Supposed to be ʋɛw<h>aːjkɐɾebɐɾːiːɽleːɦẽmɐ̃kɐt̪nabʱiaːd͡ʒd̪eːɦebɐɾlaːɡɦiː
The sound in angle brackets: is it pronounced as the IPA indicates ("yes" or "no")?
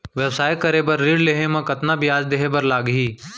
no